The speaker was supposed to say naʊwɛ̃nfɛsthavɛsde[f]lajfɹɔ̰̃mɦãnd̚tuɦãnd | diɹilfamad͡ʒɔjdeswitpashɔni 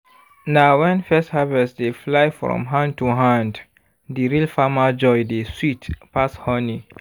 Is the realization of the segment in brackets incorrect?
no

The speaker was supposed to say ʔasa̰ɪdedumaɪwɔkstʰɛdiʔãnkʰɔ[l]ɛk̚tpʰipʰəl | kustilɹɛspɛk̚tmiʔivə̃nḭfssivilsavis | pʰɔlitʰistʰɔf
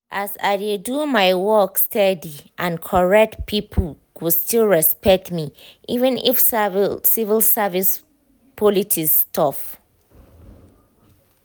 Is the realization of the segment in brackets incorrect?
yes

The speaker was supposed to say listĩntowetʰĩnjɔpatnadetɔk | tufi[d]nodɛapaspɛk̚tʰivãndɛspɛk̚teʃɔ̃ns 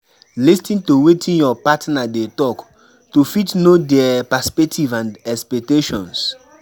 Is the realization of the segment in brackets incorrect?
yes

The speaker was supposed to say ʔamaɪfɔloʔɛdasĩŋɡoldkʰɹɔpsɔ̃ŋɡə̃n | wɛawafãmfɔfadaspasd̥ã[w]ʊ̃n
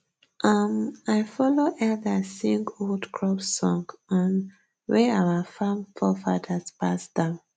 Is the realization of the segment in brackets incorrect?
yes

